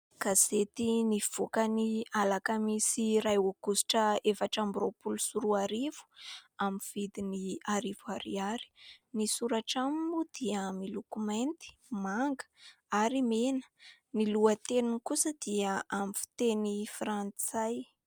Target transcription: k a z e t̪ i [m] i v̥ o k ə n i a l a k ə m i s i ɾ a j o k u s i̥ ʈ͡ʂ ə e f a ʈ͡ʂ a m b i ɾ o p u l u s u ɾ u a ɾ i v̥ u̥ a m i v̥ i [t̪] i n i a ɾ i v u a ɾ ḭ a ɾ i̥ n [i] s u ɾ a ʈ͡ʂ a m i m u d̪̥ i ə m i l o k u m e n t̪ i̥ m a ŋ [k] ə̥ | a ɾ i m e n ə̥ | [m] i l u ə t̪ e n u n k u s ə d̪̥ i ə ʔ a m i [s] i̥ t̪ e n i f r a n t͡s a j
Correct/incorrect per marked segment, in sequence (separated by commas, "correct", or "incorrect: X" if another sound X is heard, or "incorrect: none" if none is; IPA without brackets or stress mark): incorrect: n, incorrect: d̪, correct, incorrect: ɡ, incorrect: n, incorrect: f